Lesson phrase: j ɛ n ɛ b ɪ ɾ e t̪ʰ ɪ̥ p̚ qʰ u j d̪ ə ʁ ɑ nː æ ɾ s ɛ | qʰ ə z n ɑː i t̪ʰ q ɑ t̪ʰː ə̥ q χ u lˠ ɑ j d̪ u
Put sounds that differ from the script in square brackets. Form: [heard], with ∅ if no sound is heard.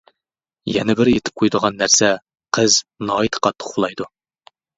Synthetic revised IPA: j ɛ n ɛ b ɪ ɾ e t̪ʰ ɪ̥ p̚ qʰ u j d̪ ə ʁ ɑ nː æ ɾ s ɛ | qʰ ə z n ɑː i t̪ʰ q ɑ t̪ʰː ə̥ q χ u lˠ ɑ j d̪ u